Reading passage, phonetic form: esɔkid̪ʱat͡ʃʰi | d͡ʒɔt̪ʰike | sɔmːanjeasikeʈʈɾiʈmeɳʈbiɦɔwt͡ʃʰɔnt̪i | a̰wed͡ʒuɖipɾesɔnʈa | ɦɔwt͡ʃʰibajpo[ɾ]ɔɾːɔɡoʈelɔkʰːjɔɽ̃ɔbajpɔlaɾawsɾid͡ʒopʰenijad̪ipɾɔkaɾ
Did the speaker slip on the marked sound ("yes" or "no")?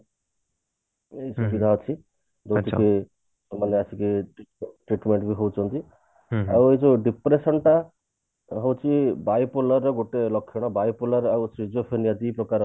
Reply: yes